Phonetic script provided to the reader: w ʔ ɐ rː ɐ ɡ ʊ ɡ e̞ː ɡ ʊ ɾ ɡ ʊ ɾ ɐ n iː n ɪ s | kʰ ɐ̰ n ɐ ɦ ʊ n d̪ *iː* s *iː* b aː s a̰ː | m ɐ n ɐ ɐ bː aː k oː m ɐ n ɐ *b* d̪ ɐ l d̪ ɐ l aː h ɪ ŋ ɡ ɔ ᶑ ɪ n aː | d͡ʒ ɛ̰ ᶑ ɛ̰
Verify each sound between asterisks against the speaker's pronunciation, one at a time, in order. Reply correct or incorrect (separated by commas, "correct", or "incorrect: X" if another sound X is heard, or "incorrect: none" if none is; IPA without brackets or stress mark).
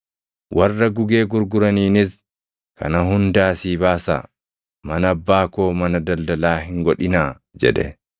incorrect: aː, correct, incorrect: none